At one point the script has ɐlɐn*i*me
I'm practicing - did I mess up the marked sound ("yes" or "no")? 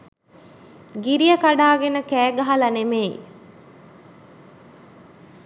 yes